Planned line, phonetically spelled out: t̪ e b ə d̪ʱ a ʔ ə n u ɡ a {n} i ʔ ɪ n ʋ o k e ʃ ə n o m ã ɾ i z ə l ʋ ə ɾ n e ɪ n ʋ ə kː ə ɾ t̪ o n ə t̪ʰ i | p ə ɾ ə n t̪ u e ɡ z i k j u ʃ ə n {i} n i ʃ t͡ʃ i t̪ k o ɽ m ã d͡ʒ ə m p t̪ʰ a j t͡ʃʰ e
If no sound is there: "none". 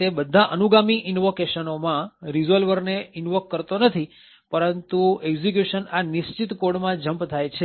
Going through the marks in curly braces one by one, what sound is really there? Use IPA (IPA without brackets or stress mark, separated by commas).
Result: m, a